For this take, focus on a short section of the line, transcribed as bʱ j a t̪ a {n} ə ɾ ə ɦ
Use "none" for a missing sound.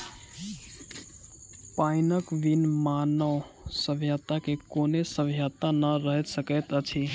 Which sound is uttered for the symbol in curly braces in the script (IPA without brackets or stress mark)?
n